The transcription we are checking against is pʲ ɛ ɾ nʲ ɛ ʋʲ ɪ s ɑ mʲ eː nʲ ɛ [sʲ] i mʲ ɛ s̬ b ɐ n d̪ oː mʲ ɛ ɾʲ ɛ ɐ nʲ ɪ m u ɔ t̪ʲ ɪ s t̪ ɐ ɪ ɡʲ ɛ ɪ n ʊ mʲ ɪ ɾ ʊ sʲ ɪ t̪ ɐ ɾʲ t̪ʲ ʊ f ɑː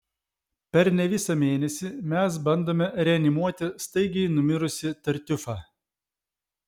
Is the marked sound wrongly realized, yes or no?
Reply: no